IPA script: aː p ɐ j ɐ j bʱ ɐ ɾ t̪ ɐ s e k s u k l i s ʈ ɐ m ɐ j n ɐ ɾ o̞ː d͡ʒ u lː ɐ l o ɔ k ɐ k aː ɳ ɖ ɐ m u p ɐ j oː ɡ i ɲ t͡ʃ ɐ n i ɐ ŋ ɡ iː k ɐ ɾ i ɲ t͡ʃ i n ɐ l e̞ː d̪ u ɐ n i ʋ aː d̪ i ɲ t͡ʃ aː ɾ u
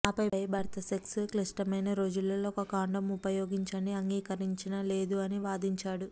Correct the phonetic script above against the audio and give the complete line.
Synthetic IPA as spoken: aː p ɐ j ɐ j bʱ ɐ ɾ t̪ ɐ s e k s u k l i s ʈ ɐ m ɐ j n ɐ ɾ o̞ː d͡ʒ u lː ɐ l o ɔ k ɐ k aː ɳ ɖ ɐ m u p ɐ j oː ɡ i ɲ t͡ʃ ɐ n i ɐ ŋ ɡ iː k ɐ ɾ i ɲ t͡ʃ i n ɐ l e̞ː d̪ u ɐ n i ʋ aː d̪ i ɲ t͡ʃ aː ɽ u